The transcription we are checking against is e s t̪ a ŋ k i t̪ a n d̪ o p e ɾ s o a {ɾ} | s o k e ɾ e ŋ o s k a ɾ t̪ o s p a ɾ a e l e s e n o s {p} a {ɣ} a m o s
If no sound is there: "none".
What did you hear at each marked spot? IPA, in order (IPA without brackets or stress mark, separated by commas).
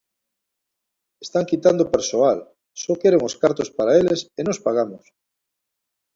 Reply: l, p, ɣ